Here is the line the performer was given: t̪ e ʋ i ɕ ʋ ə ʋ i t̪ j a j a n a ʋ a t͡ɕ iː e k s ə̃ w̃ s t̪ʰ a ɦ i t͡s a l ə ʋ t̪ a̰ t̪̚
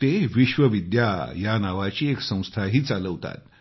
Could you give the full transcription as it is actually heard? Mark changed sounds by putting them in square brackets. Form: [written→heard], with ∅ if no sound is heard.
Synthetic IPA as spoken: t̪ e ʋ i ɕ ʋ ə ʋ i [t̪→d̪] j a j a n a ʋ a t͡ɕ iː e k s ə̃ w̃ s t̪ʰ a ɦ [i→iː] t͡s a l ə ʋ t̪ a̰ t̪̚